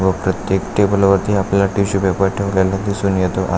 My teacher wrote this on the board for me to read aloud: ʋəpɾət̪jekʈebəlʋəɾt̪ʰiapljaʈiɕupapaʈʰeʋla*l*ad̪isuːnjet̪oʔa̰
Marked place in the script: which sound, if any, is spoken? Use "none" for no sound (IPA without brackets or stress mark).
l